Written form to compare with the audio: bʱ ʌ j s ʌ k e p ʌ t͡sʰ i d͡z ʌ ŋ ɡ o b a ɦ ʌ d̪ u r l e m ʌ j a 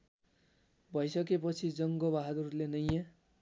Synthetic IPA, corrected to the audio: bʱ ʌ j s ʌ k e p ʌ t͡sʰ i d͡z ʌ ŋ ɡ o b a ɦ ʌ d̪ u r l e n ʌ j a